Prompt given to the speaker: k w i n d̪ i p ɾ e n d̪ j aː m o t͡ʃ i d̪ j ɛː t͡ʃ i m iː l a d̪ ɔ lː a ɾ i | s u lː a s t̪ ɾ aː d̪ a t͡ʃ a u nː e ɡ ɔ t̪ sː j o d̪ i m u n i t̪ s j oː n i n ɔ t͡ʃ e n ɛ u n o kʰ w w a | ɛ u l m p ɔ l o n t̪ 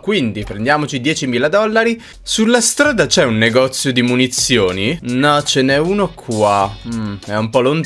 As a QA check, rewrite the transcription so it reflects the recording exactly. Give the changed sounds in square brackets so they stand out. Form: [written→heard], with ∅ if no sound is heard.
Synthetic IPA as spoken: k w i n d̪ i p ɾ e n d̪ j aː m o t͡ʃ i d̪ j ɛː t͡ʃ i m iː l a d̪ ɔ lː a ɾ i | s u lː a s t̪ ɾ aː d̪ a t͡ʃ [a→ɛ] u nː e ɡ ɔ t̪ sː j o d̪ i m u n i t̪ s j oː n i n ɔ t͡ʃ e n ɛ u n o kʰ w w a | ɛ u [l→∅] m p ɔ l o n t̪